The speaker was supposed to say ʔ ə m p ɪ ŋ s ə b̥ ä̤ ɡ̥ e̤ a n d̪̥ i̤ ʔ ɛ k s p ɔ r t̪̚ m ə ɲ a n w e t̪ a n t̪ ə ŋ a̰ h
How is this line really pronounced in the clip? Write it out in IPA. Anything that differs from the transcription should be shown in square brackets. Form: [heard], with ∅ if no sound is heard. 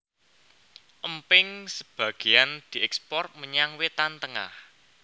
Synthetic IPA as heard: ʔ ə m p ɪ ŋ s ə b̥ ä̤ ɡ̥ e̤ a n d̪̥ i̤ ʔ ɛ k s p ɔ r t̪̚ m ə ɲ a [ŋ] w e t̪ a n t̪ ə ŋ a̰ h